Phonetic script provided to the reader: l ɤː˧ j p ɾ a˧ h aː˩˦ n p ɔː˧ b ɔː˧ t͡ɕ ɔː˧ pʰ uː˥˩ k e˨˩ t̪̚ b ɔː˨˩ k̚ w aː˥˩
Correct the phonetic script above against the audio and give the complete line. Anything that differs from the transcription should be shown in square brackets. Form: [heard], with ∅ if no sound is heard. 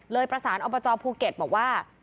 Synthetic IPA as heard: l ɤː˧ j p ɾ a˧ [s] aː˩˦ n [ʔ] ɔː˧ b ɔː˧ t͡ɕ ɔː˧ pʰ [uː˧] k e˨˩ t̪̚ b ɔː˨˩ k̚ w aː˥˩